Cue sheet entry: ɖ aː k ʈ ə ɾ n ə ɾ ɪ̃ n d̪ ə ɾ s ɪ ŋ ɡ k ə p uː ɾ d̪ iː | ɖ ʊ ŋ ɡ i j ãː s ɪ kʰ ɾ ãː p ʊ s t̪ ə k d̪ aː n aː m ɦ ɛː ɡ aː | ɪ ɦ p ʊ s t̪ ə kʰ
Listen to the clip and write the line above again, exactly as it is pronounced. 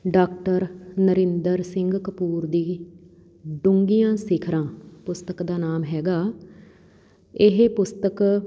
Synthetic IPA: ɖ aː k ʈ ə ɾ n ə ɾ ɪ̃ n d̪ ə ɾ s ɪ ŋ ɡ k ə p uː ɾ d̪ iː | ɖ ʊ ŋ ɡ i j ãː s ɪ kʰ ɾ ãː p ʊ s t̪ ə k d̪ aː n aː m ɦ ɛː ɡ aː | ɪ ɦ p ʊ s t̪ ə k